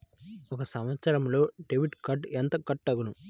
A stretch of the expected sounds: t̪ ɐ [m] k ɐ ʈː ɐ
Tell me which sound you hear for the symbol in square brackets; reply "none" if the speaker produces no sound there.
none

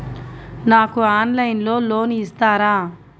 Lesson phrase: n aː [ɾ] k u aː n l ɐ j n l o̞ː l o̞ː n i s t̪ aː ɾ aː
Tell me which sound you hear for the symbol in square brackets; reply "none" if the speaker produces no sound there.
none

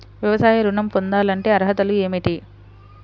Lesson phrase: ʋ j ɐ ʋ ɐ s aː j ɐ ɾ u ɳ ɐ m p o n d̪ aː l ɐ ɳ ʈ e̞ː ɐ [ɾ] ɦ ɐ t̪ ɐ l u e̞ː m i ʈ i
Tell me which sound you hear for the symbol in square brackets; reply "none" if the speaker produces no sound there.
ɾ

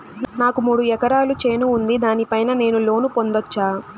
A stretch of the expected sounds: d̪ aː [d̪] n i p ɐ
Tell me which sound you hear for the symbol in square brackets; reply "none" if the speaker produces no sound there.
none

